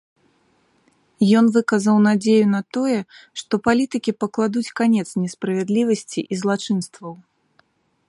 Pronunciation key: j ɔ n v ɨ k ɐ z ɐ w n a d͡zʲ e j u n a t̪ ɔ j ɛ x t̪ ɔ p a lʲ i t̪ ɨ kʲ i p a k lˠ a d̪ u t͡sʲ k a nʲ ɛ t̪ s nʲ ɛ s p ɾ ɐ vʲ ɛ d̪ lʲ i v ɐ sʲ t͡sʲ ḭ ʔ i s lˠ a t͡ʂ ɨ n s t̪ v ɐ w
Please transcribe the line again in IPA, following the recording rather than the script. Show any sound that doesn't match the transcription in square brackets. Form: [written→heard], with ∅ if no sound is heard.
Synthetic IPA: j ɔ n v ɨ k ɐ z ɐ w n a d͡zʲ e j u n [a→ɐ] t̪ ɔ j ɛ [x→ʂ] t̪ ɔ p a lʲ i t̪ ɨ kʲ i p [a→ɐ] k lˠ a d̪ u t͡sʲ k a nʲ ɛ t̪ s nʲ ɛ s p ɾ ɐ vʲ ɛ d̪ lʲ i v ɐ sʲ t͡sʲ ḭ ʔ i [s→z] lˠ a t͡ʂ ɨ n s t̪ v ɐ w